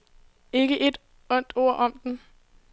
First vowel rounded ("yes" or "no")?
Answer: no